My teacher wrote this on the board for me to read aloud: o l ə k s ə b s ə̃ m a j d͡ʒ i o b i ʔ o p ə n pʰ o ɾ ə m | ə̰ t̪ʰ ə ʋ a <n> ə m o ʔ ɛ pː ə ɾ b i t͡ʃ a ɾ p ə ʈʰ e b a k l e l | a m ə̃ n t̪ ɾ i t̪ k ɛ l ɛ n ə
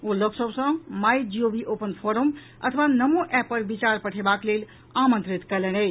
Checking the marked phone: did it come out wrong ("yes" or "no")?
no